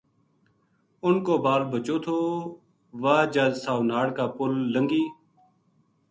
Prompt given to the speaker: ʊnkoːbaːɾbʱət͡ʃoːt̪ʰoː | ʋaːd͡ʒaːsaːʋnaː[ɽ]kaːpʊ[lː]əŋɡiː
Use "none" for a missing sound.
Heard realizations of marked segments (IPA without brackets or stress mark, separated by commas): ɽ, lː